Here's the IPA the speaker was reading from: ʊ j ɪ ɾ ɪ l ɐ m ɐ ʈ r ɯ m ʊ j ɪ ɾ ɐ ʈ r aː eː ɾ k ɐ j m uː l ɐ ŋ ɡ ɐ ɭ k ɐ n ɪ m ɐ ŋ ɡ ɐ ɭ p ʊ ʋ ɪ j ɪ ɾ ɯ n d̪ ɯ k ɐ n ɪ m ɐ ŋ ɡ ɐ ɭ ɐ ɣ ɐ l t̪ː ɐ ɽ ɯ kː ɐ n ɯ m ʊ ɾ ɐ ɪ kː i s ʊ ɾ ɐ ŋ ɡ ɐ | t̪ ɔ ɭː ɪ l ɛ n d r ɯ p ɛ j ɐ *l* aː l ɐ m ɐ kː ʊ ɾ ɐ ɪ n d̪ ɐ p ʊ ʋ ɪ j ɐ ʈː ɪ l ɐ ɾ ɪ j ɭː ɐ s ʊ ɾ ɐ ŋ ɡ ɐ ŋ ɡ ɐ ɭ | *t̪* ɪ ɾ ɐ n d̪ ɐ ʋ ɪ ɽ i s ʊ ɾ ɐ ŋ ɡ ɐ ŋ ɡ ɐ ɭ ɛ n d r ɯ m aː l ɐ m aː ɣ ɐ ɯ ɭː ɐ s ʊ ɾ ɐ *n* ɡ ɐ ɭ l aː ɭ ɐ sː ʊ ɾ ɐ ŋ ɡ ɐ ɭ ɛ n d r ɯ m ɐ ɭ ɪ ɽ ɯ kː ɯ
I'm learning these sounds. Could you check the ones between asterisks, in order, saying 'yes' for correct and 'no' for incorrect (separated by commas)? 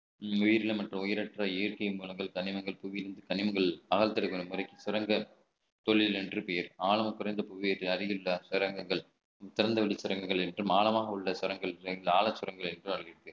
no, yes, no